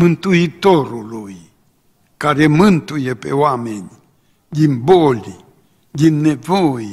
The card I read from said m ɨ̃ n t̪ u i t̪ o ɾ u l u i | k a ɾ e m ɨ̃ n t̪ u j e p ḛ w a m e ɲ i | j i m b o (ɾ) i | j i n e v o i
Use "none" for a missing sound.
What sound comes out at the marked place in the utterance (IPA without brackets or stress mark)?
l